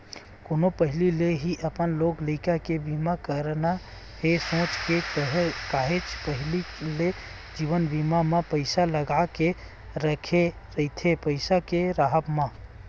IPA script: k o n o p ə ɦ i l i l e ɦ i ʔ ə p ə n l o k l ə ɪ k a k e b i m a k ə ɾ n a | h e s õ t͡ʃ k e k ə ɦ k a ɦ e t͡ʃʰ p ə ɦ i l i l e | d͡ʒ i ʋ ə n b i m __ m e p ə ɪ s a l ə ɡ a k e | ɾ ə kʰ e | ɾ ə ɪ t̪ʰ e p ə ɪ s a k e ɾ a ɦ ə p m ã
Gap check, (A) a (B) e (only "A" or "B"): A